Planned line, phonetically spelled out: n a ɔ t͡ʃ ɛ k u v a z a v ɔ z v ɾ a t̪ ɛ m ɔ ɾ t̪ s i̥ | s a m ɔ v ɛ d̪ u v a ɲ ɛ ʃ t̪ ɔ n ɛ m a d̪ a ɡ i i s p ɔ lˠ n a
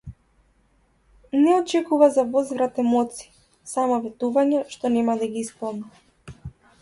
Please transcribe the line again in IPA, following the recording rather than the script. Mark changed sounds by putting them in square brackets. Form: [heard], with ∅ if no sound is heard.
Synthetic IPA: n [ɛ] ɔ t͡ʃ ɛ k u v a z a v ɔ z v ɾ a t̪ ɛ m ɔ [∅] t̪ s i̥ | s a m ɔ v ɛ [t̪] u v a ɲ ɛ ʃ t̪ ɔ n ɛ m a d̪ a ɡ i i s p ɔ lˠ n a